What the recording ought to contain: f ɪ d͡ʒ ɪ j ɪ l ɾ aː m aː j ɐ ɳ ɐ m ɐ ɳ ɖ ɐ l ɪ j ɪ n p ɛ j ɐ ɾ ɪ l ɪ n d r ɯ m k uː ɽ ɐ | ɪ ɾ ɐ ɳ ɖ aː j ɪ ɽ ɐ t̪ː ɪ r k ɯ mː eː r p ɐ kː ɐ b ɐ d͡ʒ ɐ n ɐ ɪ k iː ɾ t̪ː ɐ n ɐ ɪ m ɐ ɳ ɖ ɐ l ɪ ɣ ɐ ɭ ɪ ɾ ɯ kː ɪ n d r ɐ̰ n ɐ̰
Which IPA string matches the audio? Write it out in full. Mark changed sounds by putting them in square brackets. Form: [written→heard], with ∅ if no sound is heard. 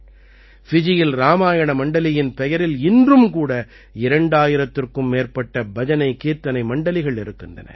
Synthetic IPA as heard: f ɪ d͡ʒ ɪ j ɪ l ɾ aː m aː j ɐ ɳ ɐ m ɐ ɳ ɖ ɐ l ɪ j ɪ n p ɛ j ɐ ɾ ɪ l ɪ n d r ɯ m k uː ɽ ɐ | ɪ ɾ ɐ ɳ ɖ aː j ɪ [ɽ→ɾ] ɐ t̪ː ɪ r k ɯ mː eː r p ɐ [kː→ʈː] ɐ b ɐ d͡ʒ ɐ n ɐ ɪ k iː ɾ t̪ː ɐ n ɐ ɪ m ɐ ɳ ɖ ɐ l ɪ ɣ ɐ ɭ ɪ ɾ ɯ kː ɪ n d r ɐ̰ n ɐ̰